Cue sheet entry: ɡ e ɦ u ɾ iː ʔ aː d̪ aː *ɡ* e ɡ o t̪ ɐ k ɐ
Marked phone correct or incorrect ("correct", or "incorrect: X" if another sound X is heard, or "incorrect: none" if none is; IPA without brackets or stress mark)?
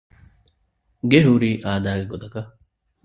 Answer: correct